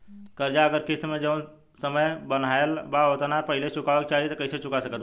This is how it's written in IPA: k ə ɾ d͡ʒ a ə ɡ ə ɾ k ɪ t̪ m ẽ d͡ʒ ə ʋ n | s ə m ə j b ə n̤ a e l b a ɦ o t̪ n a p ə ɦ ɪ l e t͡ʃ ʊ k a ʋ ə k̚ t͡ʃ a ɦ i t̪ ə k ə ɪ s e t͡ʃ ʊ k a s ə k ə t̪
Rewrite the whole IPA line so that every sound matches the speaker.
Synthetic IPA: k ə ɾ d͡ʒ a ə ɡ ə ɾ k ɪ t̪ m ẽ d͡ʒ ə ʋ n | s ə m ə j b ə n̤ a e l b a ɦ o t̪ n a p ə ɦ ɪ l e t͡ʃ ʊ k a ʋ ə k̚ t͡ʃ a ɦ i t̪ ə k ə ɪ s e t͡ʃ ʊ k a s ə k ə t̪